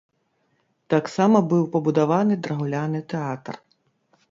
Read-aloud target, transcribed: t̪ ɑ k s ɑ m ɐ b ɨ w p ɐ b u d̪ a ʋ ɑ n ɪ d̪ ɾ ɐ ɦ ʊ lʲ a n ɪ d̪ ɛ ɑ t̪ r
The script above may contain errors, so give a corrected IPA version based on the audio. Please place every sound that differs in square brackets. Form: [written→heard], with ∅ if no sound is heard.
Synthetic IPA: t̪ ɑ k s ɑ m ɐ b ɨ w p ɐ b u d̪ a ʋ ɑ n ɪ d̪ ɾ ɐ ɦ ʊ lʲ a n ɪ [d̪→t̪] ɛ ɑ t̪ r